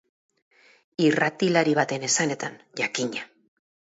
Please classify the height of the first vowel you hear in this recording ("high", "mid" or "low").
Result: high